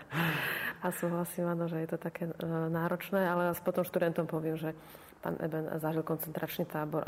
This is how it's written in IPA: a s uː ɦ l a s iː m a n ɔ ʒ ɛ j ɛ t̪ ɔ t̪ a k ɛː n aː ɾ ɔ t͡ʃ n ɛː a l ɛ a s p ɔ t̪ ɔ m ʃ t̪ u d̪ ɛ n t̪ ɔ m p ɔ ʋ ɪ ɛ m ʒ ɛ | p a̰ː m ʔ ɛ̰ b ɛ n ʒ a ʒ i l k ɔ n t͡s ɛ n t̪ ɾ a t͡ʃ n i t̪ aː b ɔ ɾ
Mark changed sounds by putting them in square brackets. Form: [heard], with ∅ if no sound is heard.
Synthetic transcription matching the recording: a s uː ɦ l a s iː m a n ɔ ʒ ɛ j ɛ t̪ ɔ t̪ a k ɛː n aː ɾ ɔ t͡ʃ n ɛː a l ɛ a s p ɔ t̪ ɔ m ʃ t̪ u d̪ ɛ n t̪ ɔ m p ɔ ʋ ɪ ɛ m ʒ ɛ | p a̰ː [n] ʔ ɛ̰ b ɛ n [z] a ʒ i l k ɔ n t͡s ɛ n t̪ ɾ a t͡ʃ n i t̪ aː b ɔ ɾ